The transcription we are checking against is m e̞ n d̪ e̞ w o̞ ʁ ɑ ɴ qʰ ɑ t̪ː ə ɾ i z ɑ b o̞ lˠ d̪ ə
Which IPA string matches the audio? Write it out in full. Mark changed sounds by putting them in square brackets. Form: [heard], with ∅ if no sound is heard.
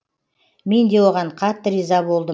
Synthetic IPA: m e̞ n d̪ e̞ w o̞ ʁ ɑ ɴ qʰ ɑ t̪ː ə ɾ i z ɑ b o̞ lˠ d̪ ə